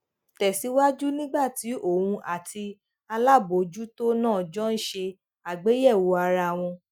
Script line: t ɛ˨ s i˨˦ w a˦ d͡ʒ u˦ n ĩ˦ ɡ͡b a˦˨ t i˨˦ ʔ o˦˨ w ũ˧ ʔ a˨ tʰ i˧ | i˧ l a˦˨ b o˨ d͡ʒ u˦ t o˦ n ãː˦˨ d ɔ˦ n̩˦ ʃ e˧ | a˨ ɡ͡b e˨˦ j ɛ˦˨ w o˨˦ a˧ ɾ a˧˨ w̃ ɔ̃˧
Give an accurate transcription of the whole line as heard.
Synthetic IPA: t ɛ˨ s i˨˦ w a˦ d͡ʒ u˦ n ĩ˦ ɡ͡b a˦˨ t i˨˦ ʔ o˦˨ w ũ˧ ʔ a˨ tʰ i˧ | a˧ l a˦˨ b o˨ d͡ʒ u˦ t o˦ n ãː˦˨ d͡ʒ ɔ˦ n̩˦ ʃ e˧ | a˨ ɡ͡b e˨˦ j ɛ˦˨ w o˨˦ a˧ ɾ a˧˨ w̃ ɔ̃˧